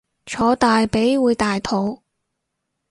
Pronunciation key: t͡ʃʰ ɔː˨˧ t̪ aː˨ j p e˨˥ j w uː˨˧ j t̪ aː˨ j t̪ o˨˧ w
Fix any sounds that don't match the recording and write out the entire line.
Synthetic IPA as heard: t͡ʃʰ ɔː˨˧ t̪ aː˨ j p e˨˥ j w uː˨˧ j t̪ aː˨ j t̪ʰ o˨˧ w